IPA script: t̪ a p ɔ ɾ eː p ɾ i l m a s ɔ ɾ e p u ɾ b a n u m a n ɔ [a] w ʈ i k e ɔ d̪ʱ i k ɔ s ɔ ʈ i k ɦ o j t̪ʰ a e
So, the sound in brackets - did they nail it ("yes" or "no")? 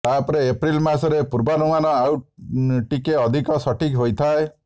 yes